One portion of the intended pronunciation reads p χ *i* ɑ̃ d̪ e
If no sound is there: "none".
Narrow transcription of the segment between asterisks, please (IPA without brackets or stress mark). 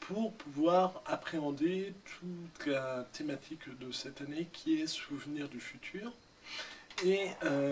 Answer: e